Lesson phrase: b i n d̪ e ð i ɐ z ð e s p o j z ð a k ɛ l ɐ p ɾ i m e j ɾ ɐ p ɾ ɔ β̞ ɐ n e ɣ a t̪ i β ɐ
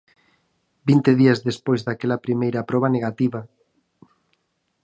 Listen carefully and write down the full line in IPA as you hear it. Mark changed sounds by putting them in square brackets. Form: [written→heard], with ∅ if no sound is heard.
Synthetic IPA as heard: b i n [d̪→t̪] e ð i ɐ z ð e s p o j z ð a k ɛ l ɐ p ɾ i m e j ɾ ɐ p ɾ ɔ β̞ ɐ n e ɣ a t̪ i β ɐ